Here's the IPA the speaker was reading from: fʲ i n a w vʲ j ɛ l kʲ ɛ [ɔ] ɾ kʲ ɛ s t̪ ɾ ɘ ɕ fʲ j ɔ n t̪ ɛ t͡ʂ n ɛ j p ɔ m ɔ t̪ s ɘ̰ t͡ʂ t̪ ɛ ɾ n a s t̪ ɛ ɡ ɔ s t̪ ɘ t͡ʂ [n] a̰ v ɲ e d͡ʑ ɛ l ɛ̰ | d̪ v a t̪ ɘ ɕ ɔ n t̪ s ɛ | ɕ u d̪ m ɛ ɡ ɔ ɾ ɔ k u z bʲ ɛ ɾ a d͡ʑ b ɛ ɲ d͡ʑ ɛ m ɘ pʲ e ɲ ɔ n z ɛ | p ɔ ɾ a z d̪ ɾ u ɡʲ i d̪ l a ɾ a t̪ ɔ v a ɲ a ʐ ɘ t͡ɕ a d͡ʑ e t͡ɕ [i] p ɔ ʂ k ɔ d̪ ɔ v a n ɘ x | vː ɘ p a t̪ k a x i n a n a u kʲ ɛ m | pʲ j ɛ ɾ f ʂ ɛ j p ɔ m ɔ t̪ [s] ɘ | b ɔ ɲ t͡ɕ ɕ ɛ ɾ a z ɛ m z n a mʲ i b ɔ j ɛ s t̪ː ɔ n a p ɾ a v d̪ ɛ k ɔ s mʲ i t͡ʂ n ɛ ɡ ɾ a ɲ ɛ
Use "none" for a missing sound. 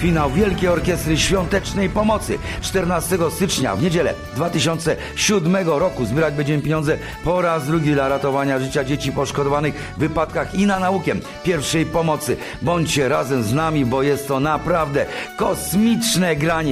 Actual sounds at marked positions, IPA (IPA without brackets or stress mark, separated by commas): ɔ, ɲ, i, s